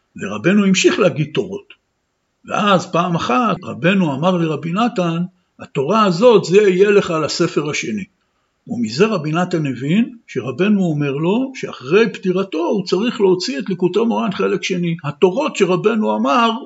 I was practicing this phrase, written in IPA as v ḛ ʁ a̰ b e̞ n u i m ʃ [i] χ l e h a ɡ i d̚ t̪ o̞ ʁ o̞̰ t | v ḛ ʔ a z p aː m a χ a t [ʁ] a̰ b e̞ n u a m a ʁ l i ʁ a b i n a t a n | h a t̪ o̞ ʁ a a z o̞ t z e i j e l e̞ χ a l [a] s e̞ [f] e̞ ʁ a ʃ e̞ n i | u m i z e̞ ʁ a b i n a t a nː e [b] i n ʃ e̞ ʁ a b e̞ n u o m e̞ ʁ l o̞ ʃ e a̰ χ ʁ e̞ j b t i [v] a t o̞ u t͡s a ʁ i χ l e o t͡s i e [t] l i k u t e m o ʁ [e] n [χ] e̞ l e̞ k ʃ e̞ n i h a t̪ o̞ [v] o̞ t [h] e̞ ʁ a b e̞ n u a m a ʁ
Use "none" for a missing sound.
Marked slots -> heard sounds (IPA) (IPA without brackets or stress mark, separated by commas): i, ʁ, a, f, v, ʁ, t, a, χ, ʁ, ʃ